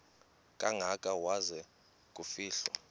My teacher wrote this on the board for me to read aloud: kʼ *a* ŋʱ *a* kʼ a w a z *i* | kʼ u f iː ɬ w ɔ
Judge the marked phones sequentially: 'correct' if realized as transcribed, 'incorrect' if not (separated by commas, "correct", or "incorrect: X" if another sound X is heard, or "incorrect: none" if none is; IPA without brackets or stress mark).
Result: correct, correct, incorrect: ɛ